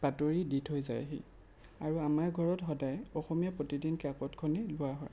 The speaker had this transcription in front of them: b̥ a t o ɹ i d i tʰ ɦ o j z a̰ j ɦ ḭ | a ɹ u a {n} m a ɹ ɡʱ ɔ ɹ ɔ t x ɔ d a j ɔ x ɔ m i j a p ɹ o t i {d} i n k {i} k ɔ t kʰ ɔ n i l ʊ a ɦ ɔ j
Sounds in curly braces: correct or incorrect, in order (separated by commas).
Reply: incorrect, correct, incorrect